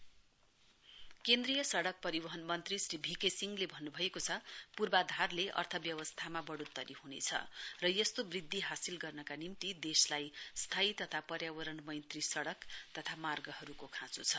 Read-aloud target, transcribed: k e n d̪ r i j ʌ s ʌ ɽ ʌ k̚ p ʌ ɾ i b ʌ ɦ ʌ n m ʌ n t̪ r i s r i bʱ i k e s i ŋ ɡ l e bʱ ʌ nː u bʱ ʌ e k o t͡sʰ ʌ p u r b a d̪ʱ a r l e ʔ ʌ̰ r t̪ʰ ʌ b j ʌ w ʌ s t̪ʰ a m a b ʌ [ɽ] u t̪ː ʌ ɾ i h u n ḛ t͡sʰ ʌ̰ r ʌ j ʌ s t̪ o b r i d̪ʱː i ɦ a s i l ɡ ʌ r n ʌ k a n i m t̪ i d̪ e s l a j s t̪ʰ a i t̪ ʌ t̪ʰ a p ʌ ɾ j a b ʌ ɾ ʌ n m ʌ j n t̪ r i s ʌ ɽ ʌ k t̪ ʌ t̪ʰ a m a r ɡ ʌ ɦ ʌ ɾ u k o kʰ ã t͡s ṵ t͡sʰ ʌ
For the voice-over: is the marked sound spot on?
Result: yes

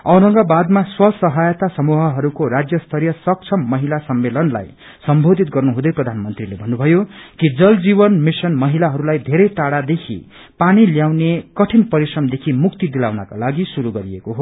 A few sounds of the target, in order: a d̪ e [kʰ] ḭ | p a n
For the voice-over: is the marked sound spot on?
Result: yes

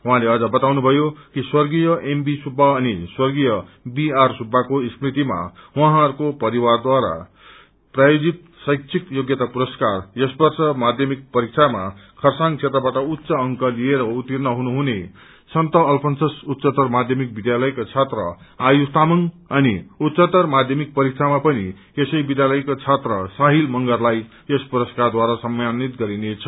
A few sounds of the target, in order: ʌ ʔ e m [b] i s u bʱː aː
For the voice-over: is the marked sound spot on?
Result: yes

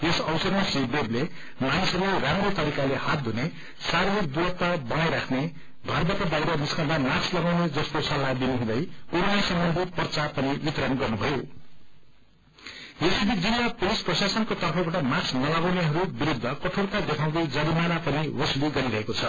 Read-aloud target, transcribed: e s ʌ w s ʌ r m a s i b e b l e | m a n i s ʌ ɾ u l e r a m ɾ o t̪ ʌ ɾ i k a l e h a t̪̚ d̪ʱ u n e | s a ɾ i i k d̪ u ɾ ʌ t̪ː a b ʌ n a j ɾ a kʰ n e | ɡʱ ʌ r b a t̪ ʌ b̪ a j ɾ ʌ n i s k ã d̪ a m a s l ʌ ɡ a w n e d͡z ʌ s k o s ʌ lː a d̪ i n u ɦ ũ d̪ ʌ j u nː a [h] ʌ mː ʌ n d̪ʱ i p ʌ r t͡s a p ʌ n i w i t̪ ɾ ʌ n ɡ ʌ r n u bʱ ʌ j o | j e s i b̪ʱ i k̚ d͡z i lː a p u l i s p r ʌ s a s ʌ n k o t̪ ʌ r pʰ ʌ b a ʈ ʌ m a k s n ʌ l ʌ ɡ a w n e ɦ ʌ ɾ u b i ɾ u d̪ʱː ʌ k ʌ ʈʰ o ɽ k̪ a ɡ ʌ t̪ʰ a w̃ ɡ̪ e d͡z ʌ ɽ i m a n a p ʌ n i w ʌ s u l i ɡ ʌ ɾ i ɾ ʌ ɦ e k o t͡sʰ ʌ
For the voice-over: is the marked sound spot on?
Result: no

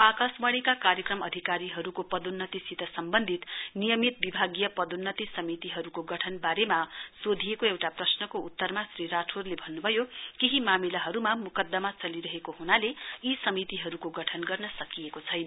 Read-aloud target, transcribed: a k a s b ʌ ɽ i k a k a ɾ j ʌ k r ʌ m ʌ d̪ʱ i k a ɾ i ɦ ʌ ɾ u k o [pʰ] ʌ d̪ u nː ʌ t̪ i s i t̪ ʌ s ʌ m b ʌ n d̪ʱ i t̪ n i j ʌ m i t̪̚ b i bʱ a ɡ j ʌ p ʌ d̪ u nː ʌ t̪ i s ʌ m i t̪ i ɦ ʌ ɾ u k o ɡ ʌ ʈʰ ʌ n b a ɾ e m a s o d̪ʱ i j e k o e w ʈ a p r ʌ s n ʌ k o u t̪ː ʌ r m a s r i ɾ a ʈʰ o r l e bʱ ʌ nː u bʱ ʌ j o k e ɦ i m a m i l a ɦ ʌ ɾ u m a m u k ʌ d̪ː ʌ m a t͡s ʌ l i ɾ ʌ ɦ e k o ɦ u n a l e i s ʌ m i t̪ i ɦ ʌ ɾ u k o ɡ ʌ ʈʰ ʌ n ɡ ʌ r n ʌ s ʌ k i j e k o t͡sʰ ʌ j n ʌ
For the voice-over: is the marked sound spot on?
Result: no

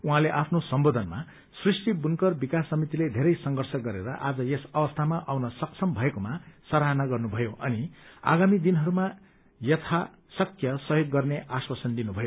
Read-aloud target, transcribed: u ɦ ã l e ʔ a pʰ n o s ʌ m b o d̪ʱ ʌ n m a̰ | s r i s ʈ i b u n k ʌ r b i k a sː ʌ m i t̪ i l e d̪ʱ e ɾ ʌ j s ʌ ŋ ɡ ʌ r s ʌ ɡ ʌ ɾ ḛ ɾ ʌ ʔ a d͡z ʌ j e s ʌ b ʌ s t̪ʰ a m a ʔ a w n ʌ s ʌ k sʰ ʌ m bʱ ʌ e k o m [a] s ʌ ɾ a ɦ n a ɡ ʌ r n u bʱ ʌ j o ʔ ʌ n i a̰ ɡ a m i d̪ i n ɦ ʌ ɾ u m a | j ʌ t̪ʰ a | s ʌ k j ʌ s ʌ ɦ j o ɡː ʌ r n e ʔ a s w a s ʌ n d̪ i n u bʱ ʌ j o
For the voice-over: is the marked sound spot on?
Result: yes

